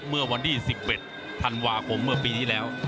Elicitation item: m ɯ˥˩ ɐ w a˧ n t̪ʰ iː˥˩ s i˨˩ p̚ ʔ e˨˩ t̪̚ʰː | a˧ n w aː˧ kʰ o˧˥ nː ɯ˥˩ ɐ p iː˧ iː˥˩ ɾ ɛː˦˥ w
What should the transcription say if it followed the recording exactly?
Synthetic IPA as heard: m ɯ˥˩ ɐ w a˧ n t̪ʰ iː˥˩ s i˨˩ p̚ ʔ e˨˩ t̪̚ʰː | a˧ n w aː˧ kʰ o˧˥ mː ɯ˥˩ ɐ p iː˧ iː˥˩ l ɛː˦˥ w

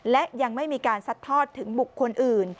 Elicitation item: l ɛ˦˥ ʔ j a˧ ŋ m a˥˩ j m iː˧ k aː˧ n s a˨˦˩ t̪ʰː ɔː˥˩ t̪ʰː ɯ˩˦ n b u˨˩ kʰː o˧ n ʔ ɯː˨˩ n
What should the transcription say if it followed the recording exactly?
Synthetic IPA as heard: l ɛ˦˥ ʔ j a˧ ŋ m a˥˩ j m iː˧ k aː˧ n s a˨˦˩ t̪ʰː ɔː˥˩ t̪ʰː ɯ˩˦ ŋ b u˨˩ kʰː o˧ n ʔ ɯː˨˩ n

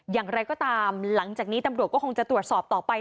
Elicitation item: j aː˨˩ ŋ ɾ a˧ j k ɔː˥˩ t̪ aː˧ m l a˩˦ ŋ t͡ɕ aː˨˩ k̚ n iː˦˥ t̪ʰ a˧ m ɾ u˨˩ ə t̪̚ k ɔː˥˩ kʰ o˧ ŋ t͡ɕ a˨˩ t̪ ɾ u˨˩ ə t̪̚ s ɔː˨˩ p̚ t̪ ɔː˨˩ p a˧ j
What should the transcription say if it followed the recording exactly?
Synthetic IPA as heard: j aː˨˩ ŋ ɾ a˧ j k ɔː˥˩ t̪ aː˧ m l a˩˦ ŋ t͡ɕ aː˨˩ k̚ n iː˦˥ t̪ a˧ m ɾ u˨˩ ə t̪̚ k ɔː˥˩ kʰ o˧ ŋ t͡ɕ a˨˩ t̪ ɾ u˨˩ ə t̪̚ s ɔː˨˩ p̚ t̪ ɔː˨˩ p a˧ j

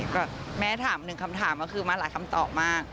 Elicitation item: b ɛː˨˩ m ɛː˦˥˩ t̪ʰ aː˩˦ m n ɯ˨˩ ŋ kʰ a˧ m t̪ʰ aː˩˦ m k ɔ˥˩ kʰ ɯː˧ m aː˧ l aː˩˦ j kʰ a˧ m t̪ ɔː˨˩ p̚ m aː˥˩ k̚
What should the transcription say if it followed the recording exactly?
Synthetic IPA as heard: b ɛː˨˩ m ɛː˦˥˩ t̪ʰ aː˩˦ m n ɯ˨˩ ŋ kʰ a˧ m t̪ʰ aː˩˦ m k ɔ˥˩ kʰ ɯː˧ m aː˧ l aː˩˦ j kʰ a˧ m t̪ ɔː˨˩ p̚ m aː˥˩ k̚

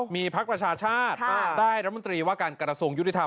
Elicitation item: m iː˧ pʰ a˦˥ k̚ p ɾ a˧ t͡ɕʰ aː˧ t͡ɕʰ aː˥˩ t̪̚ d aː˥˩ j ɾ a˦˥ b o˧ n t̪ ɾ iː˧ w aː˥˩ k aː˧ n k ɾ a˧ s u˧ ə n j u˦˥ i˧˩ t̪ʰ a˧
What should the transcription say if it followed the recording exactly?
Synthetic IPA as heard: m iː˧ pʰ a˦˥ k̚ p ɾ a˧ t͡ɕʰ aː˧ t͡ɕʰ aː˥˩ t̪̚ d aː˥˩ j ɾ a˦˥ m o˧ n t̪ ɾ iː˧ w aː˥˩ k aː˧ n k ɾ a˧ s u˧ ə ŋ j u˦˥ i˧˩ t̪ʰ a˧

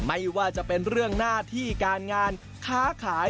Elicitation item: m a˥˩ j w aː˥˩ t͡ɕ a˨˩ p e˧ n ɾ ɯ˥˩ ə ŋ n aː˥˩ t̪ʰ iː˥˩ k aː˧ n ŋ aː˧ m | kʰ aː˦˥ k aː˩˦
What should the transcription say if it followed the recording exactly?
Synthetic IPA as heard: m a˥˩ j w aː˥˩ t͡ɕ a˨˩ p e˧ n ɾ ɯ˥˩ ə ŋ n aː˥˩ t̪ʰ iː˥˩ k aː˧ n ŋ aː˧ n | kʰ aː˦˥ kʰ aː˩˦

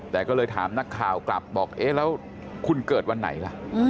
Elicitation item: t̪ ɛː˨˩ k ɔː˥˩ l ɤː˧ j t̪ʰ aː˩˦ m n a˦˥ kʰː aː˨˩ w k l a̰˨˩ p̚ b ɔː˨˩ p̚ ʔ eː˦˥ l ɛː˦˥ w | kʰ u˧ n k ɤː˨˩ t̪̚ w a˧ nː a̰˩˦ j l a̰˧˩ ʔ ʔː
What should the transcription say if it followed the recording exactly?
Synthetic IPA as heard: t̪ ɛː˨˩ k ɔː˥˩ l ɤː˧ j t̪ʰ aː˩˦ m n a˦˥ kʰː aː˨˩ w k l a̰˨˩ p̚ b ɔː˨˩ k̚ ʔ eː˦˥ l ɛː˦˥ w | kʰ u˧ n k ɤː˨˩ t̪̚ w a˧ nː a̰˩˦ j l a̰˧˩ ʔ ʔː

